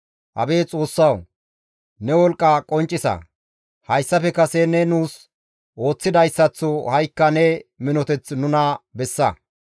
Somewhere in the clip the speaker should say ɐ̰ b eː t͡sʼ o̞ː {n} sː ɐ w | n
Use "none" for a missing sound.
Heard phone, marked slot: none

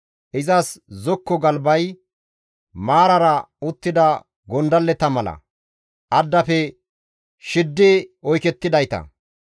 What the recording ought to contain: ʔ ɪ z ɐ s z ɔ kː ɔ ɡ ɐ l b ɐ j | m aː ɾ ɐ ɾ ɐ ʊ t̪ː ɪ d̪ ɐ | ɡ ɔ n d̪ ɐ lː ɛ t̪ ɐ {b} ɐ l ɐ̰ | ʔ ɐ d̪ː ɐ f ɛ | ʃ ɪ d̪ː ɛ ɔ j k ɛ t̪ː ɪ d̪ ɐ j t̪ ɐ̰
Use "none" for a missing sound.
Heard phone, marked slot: m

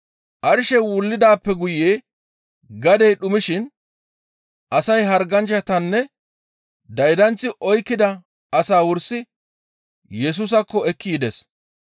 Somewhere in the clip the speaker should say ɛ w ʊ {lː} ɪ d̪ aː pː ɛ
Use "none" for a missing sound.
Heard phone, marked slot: lː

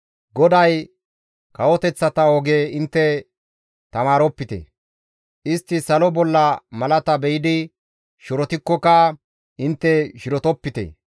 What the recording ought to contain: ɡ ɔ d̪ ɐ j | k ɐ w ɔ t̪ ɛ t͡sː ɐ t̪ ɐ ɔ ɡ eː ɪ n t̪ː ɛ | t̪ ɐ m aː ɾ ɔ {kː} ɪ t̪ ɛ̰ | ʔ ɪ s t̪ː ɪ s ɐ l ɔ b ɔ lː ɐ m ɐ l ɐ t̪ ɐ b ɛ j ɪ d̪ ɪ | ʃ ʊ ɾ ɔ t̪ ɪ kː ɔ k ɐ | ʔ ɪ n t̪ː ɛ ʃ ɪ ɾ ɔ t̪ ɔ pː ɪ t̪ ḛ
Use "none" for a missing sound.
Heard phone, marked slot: pː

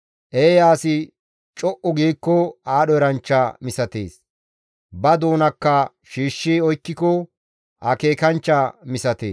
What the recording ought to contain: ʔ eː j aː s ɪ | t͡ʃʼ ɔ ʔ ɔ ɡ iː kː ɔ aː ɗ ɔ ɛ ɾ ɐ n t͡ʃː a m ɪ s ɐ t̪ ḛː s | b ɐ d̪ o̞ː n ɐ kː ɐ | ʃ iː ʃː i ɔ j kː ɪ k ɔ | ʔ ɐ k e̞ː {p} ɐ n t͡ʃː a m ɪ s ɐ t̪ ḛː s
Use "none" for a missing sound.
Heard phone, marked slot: k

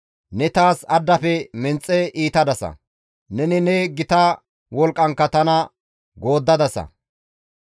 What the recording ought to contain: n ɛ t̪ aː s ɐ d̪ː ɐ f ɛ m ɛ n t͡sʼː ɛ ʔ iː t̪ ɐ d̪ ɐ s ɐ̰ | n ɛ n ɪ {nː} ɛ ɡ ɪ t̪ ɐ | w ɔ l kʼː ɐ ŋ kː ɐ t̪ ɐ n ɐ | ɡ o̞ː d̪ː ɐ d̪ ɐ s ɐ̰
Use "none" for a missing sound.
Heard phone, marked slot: n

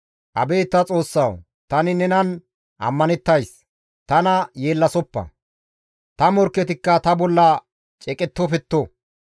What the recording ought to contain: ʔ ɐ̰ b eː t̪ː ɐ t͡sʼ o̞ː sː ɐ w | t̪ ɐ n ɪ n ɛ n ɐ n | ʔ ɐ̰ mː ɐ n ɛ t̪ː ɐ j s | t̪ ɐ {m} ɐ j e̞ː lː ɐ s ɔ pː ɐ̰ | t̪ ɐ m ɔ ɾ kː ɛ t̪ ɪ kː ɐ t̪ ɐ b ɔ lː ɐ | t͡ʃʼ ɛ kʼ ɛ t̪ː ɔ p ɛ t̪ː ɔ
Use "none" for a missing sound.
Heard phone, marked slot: n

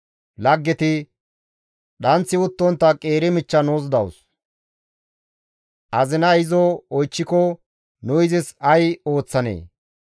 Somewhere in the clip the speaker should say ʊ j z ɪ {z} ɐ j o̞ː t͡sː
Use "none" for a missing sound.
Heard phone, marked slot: s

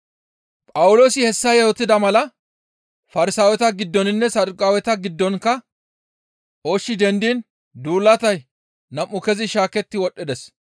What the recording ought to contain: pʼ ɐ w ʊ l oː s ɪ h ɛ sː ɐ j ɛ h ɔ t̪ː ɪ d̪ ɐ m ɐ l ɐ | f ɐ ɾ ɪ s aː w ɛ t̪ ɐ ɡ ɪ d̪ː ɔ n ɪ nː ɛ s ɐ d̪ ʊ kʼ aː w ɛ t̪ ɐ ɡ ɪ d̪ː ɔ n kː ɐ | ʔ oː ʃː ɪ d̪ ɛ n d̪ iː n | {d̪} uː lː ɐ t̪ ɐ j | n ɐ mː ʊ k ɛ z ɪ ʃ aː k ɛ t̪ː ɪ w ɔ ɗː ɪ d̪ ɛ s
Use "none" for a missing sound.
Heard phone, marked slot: d̪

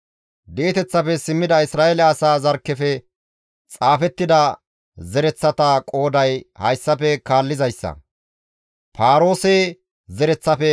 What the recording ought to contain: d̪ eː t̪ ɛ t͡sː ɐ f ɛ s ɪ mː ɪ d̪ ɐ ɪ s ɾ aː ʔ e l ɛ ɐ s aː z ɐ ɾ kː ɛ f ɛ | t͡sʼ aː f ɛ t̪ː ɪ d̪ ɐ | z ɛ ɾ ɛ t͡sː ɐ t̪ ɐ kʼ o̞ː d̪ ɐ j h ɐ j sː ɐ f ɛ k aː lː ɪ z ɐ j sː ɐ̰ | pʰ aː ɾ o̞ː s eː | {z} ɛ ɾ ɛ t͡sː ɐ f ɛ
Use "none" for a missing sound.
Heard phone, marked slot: z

